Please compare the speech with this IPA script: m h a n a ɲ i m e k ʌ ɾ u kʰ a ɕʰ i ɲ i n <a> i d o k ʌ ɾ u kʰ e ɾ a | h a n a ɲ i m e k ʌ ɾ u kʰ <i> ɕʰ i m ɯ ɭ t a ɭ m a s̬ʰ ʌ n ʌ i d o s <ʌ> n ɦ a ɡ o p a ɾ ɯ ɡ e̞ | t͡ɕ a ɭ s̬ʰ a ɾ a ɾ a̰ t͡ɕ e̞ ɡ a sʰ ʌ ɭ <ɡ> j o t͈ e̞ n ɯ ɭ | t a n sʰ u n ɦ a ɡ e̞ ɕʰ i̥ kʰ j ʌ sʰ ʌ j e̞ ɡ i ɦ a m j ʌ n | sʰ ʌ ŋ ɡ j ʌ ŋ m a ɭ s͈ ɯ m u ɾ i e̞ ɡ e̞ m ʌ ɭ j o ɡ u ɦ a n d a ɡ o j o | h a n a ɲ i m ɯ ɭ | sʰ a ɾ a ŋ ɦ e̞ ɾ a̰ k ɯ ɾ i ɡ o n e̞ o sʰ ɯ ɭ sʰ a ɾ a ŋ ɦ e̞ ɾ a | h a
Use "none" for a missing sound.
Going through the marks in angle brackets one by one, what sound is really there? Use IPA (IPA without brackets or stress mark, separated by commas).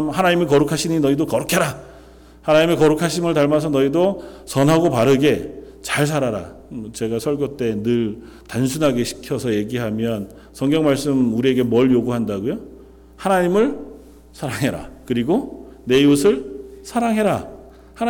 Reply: ʌ, a, ʌ, ɡ